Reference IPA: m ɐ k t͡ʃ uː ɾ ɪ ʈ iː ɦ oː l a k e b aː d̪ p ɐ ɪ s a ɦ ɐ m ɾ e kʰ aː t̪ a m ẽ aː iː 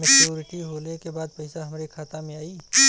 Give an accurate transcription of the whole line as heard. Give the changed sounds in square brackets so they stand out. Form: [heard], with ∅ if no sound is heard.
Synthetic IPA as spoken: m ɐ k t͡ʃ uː ɾ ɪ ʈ [i] ɦ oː l [e] k e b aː d̪ p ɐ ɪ s a ɦ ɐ m ɾ e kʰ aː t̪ a m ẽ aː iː